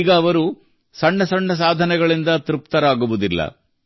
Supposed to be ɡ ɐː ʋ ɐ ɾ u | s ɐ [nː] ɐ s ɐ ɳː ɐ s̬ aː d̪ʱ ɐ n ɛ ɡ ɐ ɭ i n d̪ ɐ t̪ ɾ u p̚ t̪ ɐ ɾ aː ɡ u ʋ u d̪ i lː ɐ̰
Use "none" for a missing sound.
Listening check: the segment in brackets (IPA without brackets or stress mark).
ɳː